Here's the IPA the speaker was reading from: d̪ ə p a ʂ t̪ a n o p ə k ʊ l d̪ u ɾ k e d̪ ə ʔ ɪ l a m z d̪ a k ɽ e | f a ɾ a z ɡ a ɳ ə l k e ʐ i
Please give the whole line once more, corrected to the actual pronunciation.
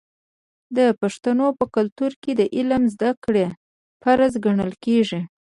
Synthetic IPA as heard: d̪ ə p a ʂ t̪ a n o p ə k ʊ l t̪ u ɾ k e d̪ ə ʔ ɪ l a m z d̪ a k ɽ e | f a ɾ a z ɡ a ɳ ə l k e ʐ i